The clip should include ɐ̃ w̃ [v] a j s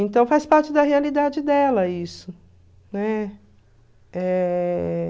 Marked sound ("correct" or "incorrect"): incorrect